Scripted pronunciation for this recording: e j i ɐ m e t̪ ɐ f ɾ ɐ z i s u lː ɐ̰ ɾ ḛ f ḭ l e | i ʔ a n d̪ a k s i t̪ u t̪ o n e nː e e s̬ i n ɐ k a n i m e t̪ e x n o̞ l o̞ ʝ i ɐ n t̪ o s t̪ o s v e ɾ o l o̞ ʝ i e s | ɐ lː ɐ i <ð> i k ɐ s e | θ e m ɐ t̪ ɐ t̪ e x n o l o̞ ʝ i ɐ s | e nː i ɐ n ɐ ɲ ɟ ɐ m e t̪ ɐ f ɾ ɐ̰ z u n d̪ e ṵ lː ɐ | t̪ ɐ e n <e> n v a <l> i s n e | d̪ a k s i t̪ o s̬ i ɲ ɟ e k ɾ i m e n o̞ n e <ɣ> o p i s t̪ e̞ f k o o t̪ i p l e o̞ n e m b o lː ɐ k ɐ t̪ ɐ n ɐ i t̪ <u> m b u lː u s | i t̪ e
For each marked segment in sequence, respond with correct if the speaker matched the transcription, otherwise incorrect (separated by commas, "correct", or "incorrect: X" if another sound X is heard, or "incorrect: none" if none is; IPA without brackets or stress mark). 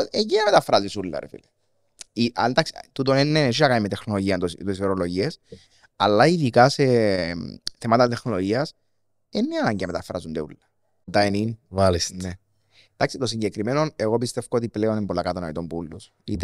correct, incorrect: i, correct, correct, incorrect: o